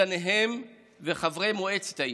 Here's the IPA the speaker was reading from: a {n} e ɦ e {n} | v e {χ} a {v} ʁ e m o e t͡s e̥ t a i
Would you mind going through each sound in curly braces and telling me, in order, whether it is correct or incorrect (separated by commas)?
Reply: correct, incorrect, correct, correct